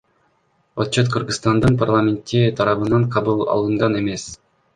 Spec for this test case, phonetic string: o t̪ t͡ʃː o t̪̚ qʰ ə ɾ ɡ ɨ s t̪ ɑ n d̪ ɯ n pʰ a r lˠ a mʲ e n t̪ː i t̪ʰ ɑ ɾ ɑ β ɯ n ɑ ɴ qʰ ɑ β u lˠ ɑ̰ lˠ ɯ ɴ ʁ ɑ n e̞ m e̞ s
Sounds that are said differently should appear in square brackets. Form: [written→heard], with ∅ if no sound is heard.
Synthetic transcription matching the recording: o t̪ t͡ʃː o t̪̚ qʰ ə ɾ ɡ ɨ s t̪ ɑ n d̪ ɯ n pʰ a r lˠ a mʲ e n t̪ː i t̪ʰ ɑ ɾ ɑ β ɯ n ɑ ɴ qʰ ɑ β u lˠ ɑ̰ lˠ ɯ ɴ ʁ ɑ n e̞ m e̞ s